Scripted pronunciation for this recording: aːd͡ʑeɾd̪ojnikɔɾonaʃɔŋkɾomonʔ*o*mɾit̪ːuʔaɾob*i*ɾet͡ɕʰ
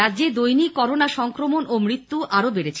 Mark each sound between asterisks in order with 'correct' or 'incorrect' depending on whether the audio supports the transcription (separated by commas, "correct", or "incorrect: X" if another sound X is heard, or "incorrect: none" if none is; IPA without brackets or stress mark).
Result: correct, incorrect: e